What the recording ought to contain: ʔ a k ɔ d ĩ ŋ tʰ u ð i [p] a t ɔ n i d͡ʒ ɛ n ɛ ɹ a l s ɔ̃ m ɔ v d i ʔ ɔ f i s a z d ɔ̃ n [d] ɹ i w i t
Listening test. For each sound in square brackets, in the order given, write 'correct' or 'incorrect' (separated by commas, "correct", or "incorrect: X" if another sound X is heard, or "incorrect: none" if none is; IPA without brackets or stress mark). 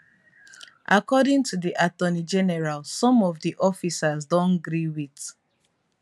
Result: incorrect: ʔ, incorrect: ɡ